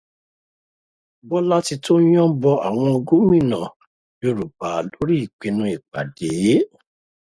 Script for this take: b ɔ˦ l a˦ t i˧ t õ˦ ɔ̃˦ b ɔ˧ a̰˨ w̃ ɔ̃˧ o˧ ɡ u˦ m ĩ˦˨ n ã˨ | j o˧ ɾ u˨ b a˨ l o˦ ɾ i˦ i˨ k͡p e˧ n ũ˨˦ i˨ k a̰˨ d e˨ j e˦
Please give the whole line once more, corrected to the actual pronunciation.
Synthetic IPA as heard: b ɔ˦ l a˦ t i˧ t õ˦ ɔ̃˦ b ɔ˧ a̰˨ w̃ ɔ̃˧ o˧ ɡ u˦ m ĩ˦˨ n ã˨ | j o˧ ɾ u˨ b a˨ l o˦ ɾ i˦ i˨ k͡p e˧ n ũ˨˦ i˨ k͡p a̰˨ d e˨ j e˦